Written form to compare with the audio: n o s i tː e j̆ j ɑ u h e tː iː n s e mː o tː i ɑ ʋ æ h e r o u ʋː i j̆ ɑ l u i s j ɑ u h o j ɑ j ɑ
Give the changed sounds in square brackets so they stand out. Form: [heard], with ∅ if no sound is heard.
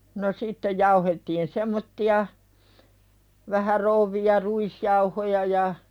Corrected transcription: n o s i tː e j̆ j ɑ u h e tː iː n s e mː o tː i ɑ ʋ æ h [æ] r o u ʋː i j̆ ɑ [r] u i s j ɑ u h o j ɑ j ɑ

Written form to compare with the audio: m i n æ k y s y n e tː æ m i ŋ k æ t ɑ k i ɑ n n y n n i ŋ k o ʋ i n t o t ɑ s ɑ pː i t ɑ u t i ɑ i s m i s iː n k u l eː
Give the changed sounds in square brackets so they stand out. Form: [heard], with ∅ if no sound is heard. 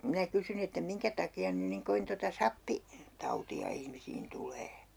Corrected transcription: m i n æ k y s y n e tː æ m i ŋ k æ t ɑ k i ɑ n n y n n i ŋ k o ʋ i n t o t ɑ s ɑ pː i t ɑ u t i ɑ i [h] m i s iː n [t] u l eː

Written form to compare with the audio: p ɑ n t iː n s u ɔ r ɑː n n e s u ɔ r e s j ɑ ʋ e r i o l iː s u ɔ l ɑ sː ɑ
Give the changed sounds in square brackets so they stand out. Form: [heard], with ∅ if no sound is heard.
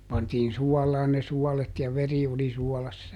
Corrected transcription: p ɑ n t iː n s u ɔ [l] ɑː n n e s u ɔ [l] e [t] j ɑ ʋ e r i o l [i] s u ɔ l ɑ sː ɑ

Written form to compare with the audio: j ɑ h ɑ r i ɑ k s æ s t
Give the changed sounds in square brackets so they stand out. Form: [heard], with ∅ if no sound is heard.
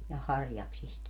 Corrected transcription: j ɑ h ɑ r [j] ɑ k s [i] s t

